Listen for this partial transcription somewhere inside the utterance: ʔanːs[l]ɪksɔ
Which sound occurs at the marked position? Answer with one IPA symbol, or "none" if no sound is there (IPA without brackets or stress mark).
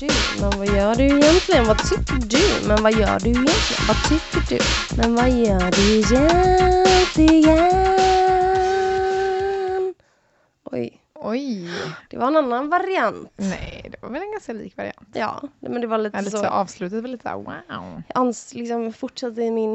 l